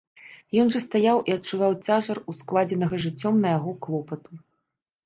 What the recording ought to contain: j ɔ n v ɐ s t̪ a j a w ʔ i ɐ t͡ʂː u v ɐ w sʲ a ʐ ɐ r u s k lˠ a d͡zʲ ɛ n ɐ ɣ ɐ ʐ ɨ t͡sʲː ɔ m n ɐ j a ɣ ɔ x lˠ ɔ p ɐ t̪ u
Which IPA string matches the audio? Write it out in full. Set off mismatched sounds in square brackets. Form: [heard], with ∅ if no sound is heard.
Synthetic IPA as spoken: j ɔ n [ʐ] ɐ s t̪ a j a w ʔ i ɐ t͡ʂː u v [a] w [t͡sʲ] a ʐ ɐ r u s k lˠ a d͡zʲ ɛ n ɐ ɣ ɐ ʐ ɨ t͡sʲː ɔ m n ɐ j a ɣ ɔ [k] lˠ ɔ p ɐ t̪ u